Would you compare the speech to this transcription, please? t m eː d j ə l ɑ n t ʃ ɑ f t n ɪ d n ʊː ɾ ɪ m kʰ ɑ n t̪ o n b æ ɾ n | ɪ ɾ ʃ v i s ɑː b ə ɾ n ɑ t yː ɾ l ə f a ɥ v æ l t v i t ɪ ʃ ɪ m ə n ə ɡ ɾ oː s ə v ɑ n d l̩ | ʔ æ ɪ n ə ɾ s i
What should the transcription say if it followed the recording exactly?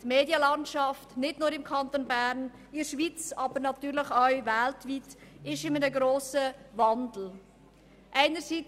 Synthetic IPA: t m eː d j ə l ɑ n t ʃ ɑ f t n ɪ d n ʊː ɾ ɪ m kʰ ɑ n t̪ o n b æ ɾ n | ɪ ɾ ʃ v i t͡s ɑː b ə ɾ n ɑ t yː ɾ l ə χ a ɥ v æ l t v i t ɪ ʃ ɪ m ə n ə ɡ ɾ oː s ə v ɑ n d l̩ | ʔ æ ɪ n ə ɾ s i